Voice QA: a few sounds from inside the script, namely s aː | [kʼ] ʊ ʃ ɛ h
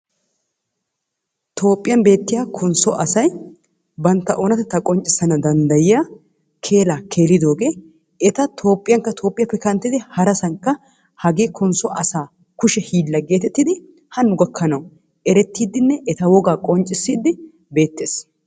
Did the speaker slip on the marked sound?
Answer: yes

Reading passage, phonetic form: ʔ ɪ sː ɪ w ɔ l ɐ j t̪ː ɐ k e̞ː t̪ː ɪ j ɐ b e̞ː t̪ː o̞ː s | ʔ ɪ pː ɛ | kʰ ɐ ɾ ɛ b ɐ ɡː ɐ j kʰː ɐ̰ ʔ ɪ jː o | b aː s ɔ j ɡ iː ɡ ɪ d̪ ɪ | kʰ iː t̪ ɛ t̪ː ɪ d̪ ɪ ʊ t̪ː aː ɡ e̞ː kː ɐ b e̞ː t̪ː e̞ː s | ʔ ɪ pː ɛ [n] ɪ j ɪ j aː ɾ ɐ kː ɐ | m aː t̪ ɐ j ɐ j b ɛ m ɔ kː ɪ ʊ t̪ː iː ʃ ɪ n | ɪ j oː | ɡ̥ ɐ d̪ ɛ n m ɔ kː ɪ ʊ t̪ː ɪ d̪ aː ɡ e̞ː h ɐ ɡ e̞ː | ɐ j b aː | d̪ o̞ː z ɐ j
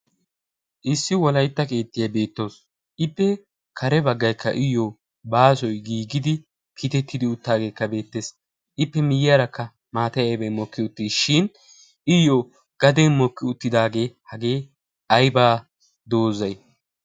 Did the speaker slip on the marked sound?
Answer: yes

